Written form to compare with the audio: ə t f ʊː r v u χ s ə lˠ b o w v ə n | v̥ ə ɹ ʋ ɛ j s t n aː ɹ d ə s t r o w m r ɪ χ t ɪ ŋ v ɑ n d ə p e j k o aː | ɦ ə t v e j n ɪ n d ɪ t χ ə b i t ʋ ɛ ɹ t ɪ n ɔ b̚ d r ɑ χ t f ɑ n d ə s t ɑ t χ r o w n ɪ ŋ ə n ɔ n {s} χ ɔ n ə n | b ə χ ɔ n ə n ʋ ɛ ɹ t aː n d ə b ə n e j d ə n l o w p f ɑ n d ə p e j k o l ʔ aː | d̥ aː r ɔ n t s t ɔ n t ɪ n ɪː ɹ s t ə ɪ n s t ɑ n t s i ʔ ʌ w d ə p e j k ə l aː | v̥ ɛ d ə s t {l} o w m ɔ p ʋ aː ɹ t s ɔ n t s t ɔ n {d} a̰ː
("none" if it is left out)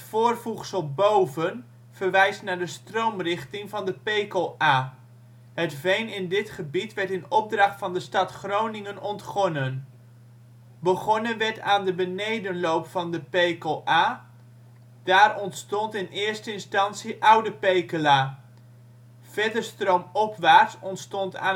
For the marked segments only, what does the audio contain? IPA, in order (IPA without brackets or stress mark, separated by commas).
t, r, t